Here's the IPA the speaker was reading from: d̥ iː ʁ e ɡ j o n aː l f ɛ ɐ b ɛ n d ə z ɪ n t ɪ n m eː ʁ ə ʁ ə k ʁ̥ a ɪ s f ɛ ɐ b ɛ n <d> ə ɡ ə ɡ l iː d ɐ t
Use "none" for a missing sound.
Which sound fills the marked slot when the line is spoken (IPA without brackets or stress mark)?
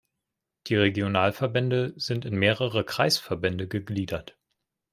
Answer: d